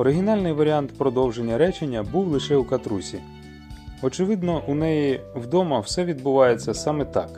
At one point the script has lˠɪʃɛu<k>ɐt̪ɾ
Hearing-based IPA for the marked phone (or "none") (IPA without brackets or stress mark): k